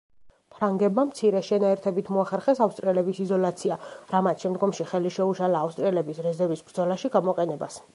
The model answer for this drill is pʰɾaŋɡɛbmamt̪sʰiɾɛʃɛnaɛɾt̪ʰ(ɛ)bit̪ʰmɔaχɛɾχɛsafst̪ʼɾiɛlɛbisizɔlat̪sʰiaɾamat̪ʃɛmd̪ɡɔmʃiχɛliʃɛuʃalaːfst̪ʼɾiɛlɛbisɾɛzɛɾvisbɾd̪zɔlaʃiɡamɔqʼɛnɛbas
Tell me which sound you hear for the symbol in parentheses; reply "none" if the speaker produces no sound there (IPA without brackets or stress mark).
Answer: ɛ